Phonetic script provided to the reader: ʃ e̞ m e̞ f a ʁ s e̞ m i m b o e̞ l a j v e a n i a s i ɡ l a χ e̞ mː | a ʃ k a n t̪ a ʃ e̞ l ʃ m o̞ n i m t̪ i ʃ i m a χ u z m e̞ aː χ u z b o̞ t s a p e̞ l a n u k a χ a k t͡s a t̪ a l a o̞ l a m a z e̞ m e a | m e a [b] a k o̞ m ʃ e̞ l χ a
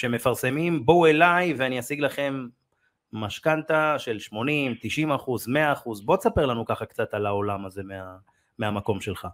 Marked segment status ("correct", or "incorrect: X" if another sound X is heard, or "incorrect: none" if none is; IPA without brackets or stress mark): incorrect: m